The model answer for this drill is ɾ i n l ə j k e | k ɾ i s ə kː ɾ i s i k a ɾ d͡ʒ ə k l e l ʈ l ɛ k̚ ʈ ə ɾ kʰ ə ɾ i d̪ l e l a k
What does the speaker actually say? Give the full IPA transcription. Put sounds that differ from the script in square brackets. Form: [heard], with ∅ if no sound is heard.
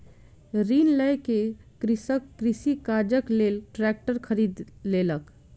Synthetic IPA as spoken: ɾ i n l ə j k e | k ɾ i s ə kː ɾ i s i k a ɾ d͡ʒ ə k l e l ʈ [ɾ] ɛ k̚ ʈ ə ɾ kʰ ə ɾ i d̪ l e l [ə] k